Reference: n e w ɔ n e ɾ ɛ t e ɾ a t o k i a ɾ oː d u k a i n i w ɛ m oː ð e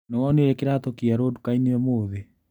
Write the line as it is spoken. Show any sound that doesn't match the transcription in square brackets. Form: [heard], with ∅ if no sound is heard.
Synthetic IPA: n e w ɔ n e ɾ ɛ [k] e ɾ a t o k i a ɾ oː d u k a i n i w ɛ m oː ð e

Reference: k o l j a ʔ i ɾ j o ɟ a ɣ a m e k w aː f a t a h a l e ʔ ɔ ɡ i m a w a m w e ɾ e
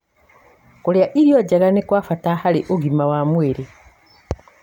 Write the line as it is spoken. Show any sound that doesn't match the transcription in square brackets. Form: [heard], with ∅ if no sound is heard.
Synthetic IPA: k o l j a ʔ i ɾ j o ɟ a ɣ a [n] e k w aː f a t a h a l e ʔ [o] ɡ i m a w a m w e ɾ e

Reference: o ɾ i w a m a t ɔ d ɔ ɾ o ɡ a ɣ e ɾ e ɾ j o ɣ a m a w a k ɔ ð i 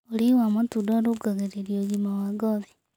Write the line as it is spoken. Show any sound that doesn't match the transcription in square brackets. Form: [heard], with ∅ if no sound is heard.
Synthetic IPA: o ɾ i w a m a t [u] d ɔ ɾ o ɡ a ɣ e ɾ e ɾ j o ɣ [i] m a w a [ɡ] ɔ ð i

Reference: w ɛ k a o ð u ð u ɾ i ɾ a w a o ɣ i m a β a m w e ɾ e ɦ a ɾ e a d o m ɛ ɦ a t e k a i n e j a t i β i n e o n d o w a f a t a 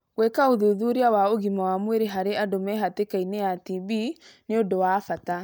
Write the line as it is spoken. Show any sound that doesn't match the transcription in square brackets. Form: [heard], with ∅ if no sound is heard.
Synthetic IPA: w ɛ k a o ð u ð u ɾ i [∅] a w a o ɣ i m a [w] a m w e ɾ e ɦ a ɾ e a d o m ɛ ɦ a t e k a i n e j a t i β i n e o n d o w a f a t a

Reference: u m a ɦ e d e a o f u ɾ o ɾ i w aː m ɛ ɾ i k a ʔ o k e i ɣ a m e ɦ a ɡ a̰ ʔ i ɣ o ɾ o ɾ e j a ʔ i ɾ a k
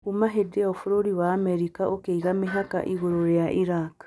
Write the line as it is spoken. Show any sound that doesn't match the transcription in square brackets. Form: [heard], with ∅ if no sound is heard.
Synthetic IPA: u m a ɦ e d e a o f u ɾ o ɾ i w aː m ɛ ɾ i k a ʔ o k e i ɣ a m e ɦ a [k] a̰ ʔ i ɣ o ɾ o ɾ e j a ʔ i ɾ a k

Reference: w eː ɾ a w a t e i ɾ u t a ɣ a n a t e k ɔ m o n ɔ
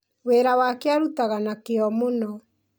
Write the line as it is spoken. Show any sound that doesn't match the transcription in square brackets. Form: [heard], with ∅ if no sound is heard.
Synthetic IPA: w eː ɾ a w a [k] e [a] ɾ u t a ɣ a n a [k] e [∅] ɔ m o n ɔ

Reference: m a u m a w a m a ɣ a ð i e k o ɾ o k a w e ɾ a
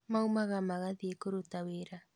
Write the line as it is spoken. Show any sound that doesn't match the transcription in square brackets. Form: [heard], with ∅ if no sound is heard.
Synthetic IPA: m a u m a [ɣ] a m a ɣ a ð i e k o ɾ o [t] a w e ɾ a

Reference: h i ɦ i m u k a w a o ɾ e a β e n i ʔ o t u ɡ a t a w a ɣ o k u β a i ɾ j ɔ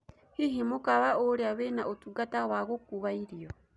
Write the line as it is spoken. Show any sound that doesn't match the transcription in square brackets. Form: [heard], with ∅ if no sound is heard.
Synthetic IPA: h i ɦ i m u k a [β] a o ɾ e a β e n [a] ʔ o t u ɡ a t a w a ɣ o k u β a i ɾ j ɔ

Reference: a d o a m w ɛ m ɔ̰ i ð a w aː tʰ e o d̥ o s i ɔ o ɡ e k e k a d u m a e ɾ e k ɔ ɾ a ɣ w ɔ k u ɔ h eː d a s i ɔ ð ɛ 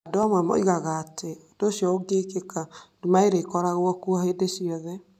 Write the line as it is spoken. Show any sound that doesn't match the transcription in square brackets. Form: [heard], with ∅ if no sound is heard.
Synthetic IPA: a d o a m w ɛ m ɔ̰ i [ɣ] a [ɣ] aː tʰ e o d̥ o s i ɔ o ɡ e k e k a d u m a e ɾ e k ɔ ɾ a ɣ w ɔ k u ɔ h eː d [e] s i ɔ ð ɛ

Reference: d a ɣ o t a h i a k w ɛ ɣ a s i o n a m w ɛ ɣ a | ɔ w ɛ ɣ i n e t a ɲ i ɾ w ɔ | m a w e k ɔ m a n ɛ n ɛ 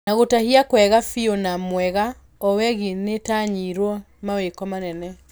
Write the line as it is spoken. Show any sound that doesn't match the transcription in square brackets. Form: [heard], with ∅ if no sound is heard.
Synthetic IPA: [n] a ɣ o t a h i a k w ɛ ɣ a [f] i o n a m w ɛ ɣ a | ɔ w ɛ ɣ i n e t a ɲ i ɾ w ɔ | m a w e k ɔ m a n ɛ n ɛ

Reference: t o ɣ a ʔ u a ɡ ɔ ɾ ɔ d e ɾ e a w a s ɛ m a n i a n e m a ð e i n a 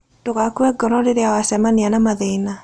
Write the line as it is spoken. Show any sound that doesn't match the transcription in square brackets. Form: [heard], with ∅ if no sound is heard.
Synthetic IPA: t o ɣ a [k] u [ɛ] ɡ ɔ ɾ ɔ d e ɾ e a w a s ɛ m a n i a n [a] m a ð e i n a

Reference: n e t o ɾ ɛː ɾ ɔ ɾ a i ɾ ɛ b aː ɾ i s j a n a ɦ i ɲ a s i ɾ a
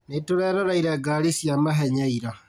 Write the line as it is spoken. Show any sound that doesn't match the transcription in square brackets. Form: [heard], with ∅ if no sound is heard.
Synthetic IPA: n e t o ɾ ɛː ɾ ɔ ɾ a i ɾ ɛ [ɡ] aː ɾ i s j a [m] a ɦ [ɛ] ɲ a [∅] i ɾ a

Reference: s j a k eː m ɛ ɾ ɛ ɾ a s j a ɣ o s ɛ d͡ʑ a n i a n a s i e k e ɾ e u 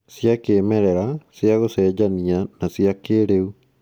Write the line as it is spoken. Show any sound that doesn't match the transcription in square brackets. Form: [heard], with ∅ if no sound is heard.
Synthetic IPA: s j a k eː m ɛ ɾ ɛ ɾ a s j a ɣ o s ɛ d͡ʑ a n i a n a s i [a] k e ɾ e u

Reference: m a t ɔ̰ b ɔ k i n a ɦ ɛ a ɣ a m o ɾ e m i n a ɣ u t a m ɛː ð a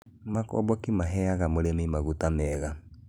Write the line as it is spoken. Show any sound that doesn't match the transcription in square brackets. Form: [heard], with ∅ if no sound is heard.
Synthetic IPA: m a [k] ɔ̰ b ɔ k i [m] a ɦ ɛ a ɣ a m o ɾ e m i [m] a ɣ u t a m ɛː [ɣ] a

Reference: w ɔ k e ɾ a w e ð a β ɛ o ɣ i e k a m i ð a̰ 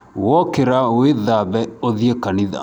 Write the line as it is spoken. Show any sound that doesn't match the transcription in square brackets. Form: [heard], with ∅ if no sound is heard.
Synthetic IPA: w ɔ k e ɾ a w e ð a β ɛ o [ð] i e k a [n] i ð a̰

